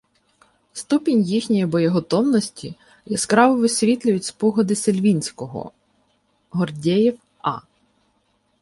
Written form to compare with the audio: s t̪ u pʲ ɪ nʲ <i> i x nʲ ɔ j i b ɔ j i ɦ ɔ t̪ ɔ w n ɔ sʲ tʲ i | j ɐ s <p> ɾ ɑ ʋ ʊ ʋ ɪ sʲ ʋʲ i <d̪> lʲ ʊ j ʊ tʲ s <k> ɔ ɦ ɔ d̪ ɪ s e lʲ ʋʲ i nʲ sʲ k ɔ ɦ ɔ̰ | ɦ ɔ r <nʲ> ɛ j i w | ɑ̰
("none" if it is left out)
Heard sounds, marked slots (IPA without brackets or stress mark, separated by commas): j, k, t̪, p, dʲ